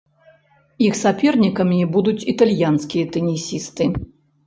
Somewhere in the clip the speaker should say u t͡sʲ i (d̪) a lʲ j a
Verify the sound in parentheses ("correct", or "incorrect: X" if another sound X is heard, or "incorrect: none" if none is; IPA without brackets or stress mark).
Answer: incorrect: t̪